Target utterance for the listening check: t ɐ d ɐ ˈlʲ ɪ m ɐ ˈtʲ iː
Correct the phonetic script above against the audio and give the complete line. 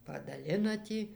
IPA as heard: p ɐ d ɐ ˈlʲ ɪ n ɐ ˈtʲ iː